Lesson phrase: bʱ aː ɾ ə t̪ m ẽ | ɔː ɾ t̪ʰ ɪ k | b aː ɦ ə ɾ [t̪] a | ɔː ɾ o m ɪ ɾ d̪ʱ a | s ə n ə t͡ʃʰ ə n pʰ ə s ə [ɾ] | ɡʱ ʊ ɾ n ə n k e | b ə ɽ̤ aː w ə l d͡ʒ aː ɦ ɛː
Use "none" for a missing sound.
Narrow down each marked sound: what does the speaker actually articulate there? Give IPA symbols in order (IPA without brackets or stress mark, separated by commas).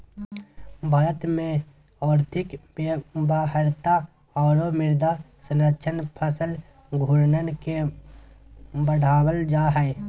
t̪, l